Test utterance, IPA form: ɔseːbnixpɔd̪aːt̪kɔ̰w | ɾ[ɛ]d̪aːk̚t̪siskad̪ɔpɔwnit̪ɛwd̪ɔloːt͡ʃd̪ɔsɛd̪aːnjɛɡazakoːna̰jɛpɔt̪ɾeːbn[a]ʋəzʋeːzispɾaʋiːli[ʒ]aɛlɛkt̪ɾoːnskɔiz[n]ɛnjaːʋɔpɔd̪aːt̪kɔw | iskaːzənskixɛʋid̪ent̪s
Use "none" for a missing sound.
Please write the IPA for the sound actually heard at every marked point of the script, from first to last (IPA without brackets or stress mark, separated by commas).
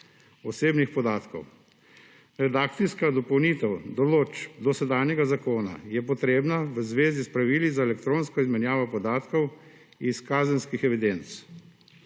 ɛ, a, z, m